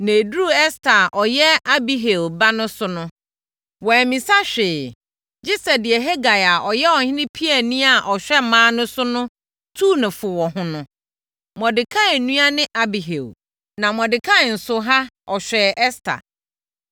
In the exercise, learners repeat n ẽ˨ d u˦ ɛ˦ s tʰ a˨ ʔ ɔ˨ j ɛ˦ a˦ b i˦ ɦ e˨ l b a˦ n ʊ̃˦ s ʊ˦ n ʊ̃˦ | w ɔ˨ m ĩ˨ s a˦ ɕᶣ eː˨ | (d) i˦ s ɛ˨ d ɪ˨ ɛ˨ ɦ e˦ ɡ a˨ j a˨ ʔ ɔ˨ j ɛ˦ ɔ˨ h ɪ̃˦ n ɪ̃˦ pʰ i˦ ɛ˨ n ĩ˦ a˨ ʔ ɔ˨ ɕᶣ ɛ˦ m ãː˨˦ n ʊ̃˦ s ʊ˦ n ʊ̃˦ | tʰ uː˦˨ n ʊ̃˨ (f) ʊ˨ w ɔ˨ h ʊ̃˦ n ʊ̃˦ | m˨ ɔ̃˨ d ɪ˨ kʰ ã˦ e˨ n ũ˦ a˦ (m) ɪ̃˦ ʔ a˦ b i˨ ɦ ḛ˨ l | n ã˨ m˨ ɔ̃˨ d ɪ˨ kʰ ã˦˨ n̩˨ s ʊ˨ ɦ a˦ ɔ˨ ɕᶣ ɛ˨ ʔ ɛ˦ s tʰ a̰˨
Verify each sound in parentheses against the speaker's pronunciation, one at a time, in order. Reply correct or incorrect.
incorrect: d͡ʑ, correct, incorrect: n

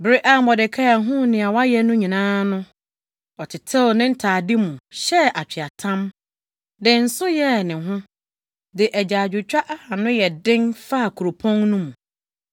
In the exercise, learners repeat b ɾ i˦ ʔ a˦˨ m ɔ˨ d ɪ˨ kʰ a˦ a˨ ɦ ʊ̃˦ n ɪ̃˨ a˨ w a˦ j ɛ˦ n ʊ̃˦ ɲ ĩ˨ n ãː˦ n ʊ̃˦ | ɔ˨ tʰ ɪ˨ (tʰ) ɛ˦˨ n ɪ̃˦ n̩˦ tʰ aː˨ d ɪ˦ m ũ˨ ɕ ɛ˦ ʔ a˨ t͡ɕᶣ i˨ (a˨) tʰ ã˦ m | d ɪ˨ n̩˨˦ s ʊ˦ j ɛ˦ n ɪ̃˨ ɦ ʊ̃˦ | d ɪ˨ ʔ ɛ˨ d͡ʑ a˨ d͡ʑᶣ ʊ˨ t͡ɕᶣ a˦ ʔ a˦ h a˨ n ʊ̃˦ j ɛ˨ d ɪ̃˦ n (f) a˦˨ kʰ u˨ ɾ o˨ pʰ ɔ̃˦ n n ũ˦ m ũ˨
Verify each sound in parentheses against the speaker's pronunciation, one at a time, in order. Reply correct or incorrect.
correct, correct, correct

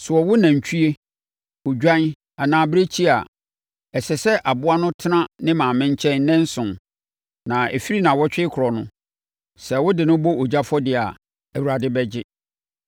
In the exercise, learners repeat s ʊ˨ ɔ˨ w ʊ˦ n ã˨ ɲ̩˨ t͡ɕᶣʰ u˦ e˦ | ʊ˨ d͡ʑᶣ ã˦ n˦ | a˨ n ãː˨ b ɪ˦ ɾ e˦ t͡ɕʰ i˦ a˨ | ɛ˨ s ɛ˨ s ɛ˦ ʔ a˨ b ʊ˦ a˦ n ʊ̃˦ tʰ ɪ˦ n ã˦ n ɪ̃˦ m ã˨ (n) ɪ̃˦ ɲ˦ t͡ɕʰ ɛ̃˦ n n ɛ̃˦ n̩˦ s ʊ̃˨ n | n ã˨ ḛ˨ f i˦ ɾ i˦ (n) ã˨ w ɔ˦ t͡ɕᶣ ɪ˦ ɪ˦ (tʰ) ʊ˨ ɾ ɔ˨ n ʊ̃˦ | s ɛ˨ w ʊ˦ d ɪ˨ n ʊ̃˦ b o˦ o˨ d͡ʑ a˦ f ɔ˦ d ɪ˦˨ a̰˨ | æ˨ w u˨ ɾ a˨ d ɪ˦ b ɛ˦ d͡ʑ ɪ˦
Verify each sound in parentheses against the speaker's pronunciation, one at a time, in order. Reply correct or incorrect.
incorrect: m, correct, incorrect: kʰ

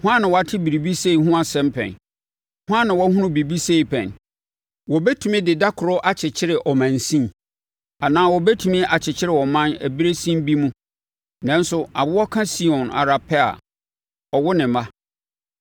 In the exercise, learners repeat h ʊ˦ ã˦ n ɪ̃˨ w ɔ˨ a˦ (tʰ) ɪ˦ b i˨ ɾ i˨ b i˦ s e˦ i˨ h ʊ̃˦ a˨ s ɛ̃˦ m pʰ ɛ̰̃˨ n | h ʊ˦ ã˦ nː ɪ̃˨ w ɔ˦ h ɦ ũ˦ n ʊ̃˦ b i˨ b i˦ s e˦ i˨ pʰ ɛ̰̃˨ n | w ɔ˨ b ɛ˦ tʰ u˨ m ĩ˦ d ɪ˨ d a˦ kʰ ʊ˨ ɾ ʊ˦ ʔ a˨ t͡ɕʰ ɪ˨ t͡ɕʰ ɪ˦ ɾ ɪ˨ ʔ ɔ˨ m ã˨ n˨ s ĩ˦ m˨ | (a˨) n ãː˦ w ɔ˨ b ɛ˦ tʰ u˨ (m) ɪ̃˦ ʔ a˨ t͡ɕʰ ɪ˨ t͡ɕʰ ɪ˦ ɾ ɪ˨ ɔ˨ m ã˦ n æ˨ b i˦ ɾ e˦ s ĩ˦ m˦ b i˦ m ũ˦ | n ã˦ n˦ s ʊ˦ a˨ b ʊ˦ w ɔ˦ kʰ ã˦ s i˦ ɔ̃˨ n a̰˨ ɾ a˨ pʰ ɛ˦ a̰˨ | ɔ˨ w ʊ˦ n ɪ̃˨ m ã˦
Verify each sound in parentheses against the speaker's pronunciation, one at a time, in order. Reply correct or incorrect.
correct, correct, correct

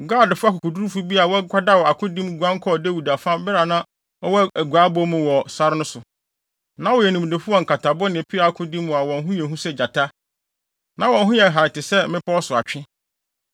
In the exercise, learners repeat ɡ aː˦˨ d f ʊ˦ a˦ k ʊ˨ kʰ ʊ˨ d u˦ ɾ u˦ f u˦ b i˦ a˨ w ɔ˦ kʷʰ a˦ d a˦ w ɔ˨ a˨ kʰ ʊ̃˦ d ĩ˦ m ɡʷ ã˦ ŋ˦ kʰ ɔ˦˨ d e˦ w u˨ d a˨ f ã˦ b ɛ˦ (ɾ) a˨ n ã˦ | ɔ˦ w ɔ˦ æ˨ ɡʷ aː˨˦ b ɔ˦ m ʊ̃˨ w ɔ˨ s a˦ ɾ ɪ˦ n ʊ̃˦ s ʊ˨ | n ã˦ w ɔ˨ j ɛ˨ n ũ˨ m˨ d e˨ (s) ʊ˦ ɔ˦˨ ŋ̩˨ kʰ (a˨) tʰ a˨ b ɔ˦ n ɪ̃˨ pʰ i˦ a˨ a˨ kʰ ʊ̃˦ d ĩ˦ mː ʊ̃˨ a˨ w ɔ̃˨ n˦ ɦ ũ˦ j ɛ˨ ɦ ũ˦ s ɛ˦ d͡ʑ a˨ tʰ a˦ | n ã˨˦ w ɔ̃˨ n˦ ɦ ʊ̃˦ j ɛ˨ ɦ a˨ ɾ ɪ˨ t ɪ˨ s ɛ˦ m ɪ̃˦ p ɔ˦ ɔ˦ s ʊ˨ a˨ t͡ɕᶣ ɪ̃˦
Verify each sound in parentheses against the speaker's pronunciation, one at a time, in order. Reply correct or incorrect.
correct, incorrect: f, correct

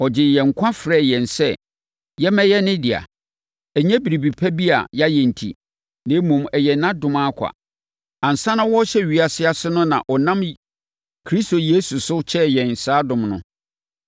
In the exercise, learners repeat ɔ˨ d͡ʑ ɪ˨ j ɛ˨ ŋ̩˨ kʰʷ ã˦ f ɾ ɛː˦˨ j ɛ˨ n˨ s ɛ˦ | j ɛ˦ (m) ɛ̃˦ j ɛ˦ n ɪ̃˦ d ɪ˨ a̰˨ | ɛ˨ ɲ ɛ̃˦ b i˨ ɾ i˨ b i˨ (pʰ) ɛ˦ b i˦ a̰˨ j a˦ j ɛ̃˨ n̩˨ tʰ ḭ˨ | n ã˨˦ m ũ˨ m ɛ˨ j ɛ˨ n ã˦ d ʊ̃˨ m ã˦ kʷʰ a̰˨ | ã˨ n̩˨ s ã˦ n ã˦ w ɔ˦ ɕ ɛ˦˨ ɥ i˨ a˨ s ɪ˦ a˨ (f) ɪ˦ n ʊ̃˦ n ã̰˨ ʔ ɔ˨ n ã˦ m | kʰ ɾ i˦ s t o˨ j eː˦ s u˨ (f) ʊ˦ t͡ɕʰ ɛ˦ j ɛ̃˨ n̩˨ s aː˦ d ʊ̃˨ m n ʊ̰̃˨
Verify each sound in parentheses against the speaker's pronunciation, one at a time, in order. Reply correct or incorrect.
correct, correct, incorrect: s, incorrect: s

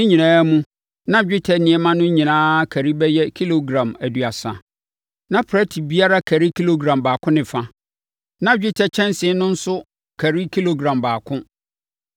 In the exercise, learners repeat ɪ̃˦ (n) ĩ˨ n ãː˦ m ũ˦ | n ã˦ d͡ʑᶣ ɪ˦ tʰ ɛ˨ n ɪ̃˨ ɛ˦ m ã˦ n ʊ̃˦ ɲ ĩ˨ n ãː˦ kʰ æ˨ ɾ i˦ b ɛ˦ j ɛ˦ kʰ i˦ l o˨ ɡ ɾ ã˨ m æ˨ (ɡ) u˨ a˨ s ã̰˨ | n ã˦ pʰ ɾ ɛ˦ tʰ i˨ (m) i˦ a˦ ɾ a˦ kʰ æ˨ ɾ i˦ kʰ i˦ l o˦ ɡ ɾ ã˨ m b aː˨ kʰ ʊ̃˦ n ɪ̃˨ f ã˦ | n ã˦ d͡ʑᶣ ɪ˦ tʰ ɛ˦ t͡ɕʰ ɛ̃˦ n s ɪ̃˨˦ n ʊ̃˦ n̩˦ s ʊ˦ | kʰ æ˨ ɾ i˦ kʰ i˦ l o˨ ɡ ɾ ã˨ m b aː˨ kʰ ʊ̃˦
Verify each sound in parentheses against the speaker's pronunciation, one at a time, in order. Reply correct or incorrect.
incorrect: ɲ, incorrect: d, incorrect: b

